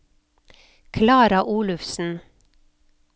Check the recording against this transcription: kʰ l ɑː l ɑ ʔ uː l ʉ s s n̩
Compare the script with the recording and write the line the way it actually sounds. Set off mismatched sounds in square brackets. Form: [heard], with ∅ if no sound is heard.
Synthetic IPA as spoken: kʰ l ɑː [ɾ] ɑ ʔ uː l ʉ [f] s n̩